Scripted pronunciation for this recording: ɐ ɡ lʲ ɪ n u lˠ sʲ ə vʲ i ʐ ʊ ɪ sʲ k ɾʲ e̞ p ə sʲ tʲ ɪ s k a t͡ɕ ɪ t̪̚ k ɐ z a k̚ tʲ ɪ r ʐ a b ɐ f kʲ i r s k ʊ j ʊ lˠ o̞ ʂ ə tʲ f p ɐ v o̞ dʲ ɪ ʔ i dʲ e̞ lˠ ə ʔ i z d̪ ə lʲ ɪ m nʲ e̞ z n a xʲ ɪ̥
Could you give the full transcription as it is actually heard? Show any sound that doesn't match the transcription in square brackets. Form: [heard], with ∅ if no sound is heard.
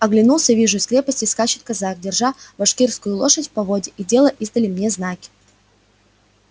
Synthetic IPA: ɐ ɡ lʲ ɪ n u lˠ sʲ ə vʲ i ʐ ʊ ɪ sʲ k ɾʲ e̞ p ə sʲ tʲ ɪ s k a t͡ɕ ɪ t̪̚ k ɐ z a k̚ [dʲ] ɪ r ʐ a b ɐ [ʂ] kʲ i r s k ʊ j ʊ lˠ o̞ ʂ ə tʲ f p ɐ v o̞ dʲ ɪ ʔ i dʲ e̞ lˠ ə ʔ i z d̪ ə lʲ ɪ m nʲ e̞ z n a [kʲ] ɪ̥